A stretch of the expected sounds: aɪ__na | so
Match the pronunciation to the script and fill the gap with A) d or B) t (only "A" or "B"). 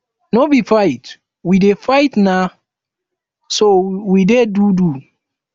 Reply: B